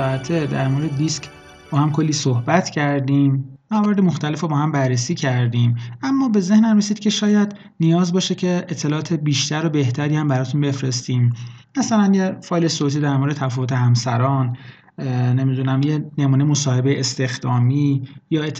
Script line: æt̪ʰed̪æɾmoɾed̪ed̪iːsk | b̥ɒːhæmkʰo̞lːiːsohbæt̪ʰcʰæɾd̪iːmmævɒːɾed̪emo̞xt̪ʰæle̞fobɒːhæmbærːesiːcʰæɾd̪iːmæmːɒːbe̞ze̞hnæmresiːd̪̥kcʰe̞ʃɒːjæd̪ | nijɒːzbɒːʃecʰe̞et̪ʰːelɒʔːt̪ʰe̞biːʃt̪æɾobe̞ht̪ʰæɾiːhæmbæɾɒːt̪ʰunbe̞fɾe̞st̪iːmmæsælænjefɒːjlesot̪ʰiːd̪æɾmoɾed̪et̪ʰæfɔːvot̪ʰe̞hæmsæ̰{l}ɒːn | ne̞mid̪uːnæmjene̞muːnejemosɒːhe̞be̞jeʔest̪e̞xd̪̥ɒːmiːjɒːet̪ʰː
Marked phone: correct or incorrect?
incorrect